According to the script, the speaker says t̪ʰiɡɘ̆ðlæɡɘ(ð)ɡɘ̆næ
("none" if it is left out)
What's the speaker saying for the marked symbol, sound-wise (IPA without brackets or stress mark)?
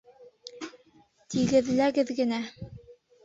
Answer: ð